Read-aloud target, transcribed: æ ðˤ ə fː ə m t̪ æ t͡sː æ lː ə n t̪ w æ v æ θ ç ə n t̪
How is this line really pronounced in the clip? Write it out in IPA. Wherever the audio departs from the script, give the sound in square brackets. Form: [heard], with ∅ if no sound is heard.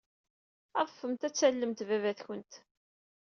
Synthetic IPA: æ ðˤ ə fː ə m t̪ æ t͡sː æ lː ə [m] t̪ [v] æ v æ θ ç ə n t̪